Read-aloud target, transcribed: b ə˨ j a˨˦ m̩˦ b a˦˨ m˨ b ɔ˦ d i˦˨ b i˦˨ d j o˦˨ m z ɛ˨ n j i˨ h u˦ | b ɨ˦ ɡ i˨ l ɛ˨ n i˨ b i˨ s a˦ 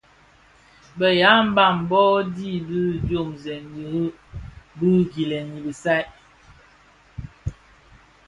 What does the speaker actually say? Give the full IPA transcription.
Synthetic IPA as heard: b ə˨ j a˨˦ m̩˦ b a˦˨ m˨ b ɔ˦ d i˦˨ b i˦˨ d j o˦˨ m z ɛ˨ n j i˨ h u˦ | b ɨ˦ ɡ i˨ l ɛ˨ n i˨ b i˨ s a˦

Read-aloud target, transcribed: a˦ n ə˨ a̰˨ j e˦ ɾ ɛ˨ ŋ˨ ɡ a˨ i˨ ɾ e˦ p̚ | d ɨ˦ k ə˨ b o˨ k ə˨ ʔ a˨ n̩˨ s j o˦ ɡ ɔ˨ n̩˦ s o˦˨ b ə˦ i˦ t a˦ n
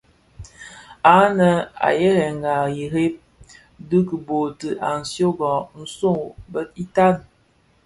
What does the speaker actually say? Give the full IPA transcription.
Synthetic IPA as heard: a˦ n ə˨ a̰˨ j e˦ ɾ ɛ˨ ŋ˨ ɡ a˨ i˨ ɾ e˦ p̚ | d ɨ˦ k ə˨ b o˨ t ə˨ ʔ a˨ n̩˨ s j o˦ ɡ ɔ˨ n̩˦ s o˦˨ b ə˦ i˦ t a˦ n

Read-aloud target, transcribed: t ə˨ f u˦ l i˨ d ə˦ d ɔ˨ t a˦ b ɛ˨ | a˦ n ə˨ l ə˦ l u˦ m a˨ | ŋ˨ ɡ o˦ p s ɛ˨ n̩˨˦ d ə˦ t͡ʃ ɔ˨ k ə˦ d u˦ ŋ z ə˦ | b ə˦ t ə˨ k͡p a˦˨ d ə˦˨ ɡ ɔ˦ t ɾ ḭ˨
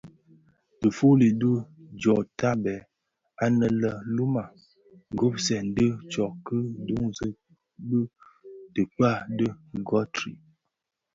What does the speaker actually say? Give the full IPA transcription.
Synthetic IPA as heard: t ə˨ f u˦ l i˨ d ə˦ d͡ʒ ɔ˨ t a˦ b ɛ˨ | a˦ n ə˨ l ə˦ l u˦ m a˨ | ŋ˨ ɡ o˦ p s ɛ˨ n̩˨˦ d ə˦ t͡ʃ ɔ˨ k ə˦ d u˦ ŋ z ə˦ | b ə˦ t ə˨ k͡p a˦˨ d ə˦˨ ɡ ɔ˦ t ɾ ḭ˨

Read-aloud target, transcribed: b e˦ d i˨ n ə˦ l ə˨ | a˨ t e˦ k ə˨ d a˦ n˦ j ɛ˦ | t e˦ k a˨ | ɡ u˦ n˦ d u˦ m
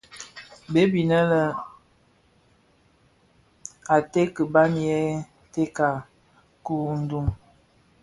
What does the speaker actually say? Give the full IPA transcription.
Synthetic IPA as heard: b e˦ b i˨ n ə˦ l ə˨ | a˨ t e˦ k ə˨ b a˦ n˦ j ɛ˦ | t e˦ k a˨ | k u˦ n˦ d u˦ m

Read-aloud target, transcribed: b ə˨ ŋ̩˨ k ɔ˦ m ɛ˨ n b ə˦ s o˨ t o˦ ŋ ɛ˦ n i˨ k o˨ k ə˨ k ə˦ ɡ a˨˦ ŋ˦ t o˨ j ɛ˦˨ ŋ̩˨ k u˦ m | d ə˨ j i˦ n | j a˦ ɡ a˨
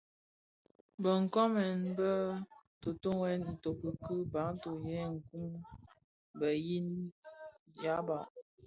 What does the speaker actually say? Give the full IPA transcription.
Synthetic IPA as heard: b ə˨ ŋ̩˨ k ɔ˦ m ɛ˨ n b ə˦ t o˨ t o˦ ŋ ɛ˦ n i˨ t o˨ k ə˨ k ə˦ b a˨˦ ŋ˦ t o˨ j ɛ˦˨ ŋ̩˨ k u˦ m | b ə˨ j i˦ n | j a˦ b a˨

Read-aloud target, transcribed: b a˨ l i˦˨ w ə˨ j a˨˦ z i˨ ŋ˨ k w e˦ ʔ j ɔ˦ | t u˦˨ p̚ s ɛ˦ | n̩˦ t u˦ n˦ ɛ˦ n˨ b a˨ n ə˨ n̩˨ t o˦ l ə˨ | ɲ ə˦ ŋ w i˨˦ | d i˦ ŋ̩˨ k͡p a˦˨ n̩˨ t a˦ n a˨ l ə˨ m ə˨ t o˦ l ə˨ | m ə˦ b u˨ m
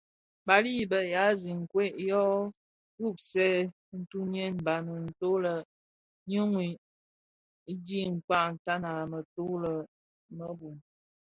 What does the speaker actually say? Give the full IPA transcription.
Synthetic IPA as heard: b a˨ l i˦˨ b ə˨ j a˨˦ z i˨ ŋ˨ k w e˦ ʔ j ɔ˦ | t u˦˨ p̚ s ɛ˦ | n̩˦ t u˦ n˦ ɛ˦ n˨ b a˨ n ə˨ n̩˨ t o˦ l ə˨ | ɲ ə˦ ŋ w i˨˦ | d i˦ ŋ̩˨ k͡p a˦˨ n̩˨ t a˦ n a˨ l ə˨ m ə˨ t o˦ l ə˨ | m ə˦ b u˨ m

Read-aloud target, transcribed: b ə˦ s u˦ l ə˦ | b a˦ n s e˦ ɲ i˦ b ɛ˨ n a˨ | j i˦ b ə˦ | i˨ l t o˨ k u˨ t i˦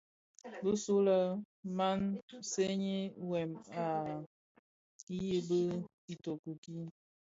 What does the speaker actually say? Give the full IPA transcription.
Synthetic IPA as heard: b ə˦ s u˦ l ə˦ | m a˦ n s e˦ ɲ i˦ w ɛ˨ m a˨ | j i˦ b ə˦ | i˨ t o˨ k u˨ k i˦

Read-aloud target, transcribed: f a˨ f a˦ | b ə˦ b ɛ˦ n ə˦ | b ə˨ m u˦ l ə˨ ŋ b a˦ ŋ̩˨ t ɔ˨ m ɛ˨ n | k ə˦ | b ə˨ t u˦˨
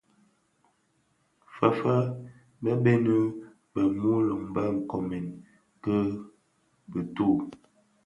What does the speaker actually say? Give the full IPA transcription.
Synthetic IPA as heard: f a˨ f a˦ | b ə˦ b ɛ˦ n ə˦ | b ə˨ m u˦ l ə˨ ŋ b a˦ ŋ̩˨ k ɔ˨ m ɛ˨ n | k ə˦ | b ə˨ t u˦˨

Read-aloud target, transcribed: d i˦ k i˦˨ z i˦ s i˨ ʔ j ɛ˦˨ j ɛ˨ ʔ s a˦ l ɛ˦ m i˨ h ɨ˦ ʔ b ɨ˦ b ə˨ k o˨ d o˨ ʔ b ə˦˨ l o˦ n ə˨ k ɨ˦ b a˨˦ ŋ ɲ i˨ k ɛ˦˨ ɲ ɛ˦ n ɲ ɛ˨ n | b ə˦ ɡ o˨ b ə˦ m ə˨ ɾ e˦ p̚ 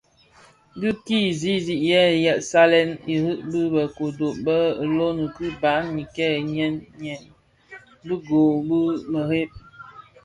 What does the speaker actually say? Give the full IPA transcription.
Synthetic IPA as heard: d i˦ k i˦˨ z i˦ z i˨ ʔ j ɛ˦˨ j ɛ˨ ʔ s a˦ l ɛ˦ n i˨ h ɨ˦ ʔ b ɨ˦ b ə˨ k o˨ d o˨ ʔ b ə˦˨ l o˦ n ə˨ k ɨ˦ b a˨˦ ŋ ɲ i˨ k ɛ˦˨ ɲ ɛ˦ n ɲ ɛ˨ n | b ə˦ ɡ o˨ b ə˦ m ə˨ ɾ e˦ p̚

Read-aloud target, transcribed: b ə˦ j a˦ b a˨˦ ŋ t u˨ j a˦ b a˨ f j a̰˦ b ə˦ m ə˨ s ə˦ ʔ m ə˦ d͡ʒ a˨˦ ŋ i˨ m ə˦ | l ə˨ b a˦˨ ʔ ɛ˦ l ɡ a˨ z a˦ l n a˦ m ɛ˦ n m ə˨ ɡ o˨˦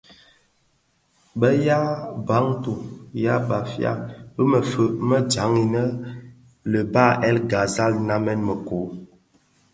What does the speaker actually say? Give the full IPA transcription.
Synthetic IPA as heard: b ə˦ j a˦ b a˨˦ ŋ t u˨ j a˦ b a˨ f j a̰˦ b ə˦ m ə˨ f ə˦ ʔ m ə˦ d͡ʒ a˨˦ ŋ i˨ n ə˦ | l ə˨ b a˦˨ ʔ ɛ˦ l ɡ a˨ z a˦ l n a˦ m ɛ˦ n m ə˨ k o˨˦

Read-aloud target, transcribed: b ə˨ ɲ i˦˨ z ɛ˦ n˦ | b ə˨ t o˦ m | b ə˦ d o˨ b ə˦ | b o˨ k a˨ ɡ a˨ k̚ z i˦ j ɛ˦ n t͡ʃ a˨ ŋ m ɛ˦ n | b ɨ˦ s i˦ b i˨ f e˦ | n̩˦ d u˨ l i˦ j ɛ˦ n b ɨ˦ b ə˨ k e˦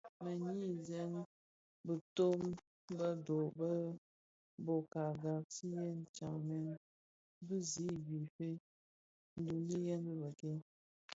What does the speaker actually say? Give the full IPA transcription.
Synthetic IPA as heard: m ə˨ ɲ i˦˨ z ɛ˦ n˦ | b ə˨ t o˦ m | b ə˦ d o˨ b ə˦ | b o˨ k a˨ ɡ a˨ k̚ s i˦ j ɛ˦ n t͡ʃ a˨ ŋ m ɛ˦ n | b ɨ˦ z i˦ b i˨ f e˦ | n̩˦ d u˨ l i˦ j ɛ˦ n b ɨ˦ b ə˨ k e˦

